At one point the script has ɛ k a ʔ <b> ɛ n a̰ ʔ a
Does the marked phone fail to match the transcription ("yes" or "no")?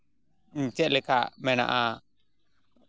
yes